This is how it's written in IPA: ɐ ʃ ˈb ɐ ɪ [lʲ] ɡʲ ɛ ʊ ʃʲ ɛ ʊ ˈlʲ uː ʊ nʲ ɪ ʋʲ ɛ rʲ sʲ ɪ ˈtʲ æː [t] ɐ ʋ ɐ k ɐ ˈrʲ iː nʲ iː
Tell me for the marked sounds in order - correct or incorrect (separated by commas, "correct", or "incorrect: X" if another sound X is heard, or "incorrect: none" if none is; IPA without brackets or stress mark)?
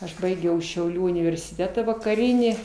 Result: incorrect: none, correct